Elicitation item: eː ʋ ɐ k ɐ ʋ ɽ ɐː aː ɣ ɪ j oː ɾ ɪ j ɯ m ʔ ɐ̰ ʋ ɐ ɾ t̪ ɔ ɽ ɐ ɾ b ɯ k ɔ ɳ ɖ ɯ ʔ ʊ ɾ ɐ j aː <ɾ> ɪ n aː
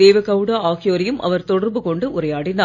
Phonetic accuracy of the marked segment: incorrect: ɽ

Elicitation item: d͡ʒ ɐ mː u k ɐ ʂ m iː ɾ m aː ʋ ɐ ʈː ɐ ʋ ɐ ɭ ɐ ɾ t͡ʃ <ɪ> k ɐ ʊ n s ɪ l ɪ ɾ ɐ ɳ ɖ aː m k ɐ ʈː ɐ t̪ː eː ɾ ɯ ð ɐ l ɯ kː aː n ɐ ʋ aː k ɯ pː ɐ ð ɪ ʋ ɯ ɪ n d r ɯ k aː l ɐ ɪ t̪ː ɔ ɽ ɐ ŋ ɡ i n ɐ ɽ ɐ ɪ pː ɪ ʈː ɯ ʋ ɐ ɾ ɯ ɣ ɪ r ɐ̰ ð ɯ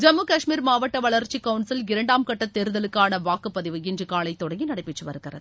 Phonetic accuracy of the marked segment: incorrect: i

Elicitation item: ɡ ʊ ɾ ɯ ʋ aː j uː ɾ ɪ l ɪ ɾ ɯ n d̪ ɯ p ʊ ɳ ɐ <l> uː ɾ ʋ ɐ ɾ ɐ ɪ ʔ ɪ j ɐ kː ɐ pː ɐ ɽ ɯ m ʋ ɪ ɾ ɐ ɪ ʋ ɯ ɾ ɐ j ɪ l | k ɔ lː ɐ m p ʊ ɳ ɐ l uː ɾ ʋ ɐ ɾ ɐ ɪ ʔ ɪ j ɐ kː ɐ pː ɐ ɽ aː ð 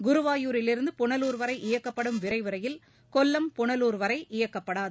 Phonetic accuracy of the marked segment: correct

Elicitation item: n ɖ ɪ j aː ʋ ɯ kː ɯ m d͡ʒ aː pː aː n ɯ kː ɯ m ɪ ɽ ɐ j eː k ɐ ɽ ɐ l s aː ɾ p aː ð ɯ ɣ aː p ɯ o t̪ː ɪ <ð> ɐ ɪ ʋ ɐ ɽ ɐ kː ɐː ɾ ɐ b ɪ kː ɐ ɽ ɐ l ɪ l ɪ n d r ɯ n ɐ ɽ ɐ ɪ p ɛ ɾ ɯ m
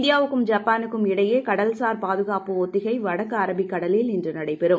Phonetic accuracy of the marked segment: incorrect: ɣ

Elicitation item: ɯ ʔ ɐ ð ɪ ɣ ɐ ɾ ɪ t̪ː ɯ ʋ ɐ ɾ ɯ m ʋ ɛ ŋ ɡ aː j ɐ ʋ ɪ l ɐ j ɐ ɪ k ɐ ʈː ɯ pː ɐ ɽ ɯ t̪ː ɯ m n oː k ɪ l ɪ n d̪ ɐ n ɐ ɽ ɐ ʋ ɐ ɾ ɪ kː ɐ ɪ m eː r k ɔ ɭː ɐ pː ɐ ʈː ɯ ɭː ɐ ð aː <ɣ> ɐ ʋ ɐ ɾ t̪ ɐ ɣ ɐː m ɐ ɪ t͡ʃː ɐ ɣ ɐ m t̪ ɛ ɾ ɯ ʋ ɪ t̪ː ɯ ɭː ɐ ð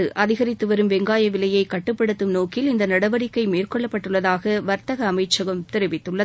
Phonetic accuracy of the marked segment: correct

